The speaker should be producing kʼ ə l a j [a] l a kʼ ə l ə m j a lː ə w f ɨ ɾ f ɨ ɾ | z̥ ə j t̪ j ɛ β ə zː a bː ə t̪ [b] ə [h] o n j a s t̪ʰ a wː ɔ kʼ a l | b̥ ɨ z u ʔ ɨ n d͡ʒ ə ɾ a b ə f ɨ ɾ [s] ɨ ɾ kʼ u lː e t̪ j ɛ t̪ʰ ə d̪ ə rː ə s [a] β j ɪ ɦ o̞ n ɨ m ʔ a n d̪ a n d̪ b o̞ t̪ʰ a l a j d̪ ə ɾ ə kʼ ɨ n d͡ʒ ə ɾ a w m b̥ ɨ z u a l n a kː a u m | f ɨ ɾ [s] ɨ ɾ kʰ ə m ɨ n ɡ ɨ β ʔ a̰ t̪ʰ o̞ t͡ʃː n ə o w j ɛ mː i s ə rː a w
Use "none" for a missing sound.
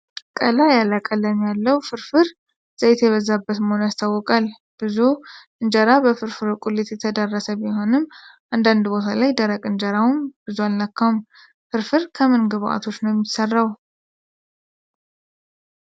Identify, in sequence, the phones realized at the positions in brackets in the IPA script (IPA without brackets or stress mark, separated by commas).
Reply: a, m, h, f, ə, f